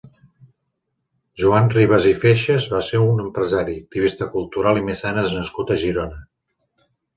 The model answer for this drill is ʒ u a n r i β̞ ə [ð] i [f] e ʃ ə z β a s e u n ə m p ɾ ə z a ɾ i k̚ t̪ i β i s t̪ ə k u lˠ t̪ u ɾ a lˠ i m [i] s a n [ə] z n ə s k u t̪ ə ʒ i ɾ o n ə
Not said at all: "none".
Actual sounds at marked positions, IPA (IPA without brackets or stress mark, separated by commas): z, f, e, ə